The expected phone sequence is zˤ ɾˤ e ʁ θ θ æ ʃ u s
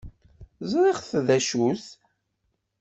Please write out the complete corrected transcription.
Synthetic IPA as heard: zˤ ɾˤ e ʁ θ ð æ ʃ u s